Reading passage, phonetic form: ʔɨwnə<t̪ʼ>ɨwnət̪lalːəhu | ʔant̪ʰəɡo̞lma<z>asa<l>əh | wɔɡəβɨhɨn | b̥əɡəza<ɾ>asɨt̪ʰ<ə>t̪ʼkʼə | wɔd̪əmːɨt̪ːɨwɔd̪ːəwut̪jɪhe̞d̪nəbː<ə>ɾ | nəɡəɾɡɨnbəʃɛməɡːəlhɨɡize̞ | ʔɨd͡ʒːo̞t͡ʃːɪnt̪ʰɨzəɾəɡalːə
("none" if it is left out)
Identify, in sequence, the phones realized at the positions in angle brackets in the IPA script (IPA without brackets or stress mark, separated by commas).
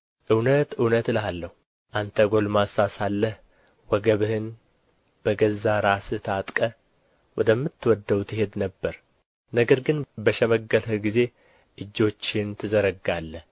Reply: t̪, s, lː, ɾ, a, ə